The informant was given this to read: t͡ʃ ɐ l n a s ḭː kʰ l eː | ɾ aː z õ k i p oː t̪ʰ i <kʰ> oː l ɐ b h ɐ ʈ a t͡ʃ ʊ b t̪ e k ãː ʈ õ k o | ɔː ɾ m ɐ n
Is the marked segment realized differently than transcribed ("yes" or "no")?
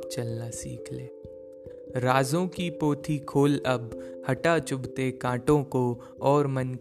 no